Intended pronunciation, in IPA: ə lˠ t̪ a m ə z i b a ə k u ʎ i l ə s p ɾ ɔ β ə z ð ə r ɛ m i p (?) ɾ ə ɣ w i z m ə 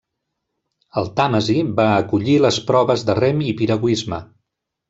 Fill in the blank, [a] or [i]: i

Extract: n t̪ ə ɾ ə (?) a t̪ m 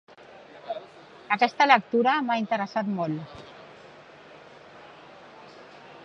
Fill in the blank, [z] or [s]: s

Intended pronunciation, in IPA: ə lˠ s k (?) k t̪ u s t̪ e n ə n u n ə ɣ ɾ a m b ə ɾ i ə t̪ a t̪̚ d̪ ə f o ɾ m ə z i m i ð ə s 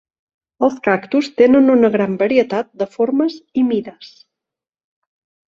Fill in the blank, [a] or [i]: a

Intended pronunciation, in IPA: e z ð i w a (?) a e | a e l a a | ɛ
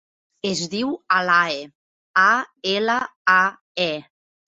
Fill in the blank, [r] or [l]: l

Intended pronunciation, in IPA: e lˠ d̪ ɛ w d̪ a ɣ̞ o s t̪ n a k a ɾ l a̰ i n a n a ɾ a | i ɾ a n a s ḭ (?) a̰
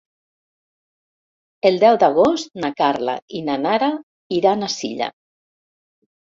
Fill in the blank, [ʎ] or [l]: ʎ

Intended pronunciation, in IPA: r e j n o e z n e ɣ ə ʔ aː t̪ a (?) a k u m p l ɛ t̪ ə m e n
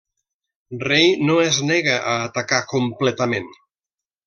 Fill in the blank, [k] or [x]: k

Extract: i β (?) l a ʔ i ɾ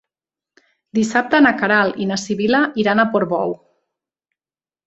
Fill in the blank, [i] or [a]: i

